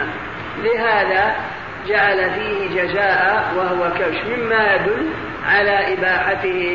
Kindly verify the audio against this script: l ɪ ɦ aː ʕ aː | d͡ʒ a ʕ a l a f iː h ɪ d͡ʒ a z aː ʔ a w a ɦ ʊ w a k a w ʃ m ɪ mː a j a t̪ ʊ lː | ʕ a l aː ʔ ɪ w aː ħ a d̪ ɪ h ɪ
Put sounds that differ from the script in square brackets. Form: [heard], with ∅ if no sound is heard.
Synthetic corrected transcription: l ɪ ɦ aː [ð] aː | d͡ʒ a ʕ a l a f iː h ɪ d͡ʒ a z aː ʔ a w a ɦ ʊ w a k a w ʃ m ɪ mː a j a [d̪] ʊ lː | ʕ a l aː ʔ ɪ [b] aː ħ a [t̪] ɪ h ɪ